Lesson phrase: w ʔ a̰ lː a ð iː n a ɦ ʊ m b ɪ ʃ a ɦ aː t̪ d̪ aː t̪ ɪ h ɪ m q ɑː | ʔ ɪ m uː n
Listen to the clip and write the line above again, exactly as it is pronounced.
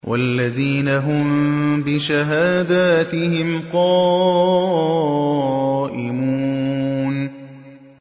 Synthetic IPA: w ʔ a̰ lː a ð iː n a ɦ ʊ m b ɪ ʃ a ɦ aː d̪ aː t̪ ɪ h ɪ m q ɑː | ʔ ɪ m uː n